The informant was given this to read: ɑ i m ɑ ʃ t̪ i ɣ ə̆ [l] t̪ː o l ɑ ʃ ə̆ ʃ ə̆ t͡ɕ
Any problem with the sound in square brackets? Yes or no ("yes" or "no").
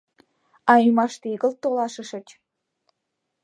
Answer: no